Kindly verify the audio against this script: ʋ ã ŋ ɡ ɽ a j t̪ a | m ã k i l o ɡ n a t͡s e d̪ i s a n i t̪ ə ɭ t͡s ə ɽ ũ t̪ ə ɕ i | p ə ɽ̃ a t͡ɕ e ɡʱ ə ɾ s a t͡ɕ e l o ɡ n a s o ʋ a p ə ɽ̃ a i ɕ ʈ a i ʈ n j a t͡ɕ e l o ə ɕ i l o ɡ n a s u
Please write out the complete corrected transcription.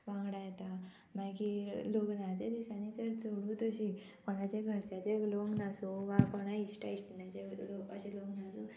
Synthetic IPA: ʋ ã ŋ ɡ ɽ a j t̪ a | m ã k i l o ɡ n a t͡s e d̪ i s a n i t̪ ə ɾ t͡s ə ɽ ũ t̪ ə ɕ i | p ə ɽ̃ a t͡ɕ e ɡʱ ə ɾ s a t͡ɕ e l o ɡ n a s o ʋ a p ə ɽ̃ a i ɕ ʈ a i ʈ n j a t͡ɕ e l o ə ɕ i l o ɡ n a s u